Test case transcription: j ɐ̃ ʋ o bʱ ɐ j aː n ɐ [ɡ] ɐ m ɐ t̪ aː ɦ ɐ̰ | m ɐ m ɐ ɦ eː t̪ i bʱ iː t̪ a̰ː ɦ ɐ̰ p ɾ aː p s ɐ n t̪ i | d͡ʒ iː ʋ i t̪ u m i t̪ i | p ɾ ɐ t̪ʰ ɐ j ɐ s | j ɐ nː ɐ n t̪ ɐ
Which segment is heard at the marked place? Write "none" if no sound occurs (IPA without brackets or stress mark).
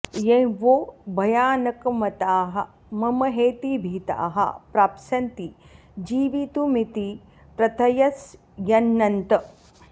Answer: k